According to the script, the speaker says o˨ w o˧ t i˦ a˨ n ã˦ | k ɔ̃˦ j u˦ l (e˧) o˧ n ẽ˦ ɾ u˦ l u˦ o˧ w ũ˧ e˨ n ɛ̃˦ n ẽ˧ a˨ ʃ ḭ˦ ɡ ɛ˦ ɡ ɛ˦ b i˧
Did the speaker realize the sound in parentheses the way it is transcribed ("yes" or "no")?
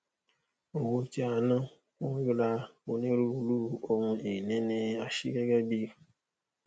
no